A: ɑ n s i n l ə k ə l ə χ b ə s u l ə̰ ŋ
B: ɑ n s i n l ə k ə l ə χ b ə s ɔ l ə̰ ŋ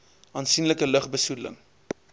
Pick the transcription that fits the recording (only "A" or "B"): A